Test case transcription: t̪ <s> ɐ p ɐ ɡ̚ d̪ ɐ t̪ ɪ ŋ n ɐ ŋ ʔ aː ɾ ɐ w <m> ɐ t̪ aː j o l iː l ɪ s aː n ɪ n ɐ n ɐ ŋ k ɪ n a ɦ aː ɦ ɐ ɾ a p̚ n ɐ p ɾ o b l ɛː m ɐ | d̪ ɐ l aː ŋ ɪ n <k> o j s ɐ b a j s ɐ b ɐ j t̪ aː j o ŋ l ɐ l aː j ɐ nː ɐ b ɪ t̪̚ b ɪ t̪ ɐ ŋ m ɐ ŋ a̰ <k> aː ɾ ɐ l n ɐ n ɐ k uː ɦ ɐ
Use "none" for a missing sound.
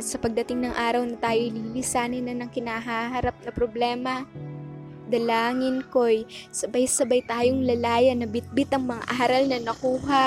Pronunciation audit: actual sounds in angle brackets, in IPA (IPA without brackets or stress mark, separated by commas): s, n, k, ʔ